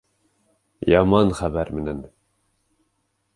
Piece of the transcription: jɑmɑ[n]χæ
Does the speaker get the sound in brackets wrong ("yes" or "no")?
no